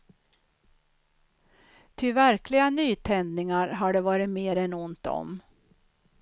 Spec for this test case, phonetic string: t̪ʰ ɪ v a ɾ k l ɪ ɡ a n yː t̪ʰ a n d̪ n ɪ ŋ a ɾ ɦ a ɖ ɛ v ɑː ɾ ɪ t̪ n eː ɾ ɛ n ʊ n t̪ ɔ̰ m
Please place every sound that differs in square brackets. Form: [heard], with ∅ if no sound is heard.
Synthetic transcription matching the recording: t̪ʰ ɪ v [æ] ɾ k l ɪ ɡ a n yː t̪ʰ [ɛ] n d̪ n ɪ ŋ a ɾ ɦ a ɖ ɛ v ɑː ɾ ɪ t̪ [m] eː ɾ ɛ n ʊ n t̪ ɔ̰ m